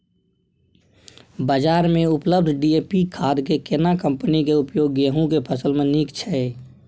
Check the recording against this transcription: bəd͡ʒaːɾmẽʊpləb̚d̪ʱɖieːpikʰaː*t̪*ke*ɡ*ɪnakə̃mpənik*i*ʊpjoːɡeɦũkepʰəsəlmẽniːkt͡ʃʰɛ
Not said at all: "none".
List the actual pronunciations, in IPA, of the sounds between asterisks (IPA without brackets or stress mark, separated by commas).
d̪, k, e